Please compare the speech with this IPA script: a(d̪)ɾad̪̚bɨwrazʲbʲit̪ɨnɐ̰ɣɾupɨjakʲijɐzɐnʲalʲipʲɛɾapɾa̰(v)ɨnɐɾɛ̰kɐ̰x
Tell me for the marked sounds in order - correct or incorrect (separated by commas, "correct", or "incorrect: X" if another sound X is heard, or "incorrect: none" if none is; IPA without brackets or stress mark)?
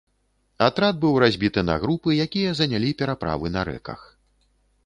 incorrect: t̪, correct